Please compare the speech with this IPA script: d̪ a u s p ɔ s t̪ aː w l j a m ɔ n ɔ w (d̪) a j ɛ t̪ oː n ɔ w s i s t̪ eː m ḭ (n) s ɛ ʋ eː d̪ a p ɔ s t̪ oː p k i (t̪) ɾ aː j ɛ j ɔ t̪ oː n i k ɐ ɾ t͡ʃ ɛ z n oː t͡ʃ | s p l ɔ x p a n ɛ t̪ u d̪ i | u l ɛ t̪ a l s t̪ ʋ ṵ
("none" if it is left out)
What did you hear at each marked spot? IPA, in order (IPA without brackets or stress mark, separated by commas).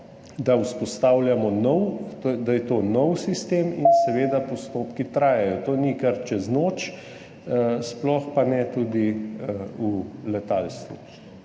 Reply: d̪, n, t̪